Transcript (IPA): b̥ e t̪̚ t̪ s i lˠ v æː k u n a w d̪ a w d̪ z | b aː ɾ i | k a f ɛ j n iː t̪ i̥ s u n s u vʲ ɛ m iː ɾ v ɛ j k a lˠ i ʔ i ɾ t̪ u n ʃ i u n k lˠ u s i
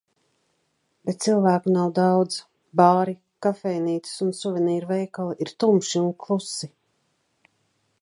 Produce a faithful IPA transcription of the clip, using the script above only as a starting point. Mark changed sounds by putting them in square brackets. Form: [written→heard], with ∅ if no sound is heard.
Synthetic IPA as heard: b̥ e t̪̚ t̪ s i lˠ v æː k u n a w d̪ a w d̪ z | b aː ɾ i | k a f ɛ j n iː t̪ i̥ s u n s u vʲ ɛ [m→n] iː ɾ v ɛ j k a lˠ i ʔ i ɾ t̪ u [n→m] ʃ i u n k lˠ u s i